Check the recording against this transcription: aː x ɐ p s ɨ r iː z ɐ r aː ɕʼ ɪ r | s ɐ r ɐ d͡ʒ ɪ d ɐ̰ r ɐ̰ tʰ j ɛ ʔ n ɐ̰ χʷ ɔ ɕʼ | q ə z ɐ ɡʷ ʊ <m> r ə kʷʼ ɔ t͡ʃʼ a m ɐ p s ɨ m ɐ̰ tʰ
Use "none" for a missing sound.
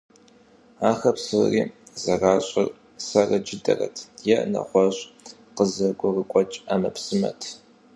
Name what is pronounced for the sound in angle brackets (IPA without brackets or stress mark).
none